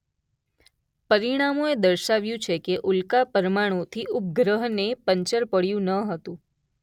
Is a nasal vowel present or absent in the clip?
present